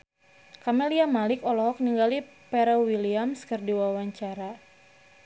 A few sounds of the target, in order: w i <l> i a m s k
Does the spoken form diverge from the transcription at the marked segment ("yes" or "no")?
no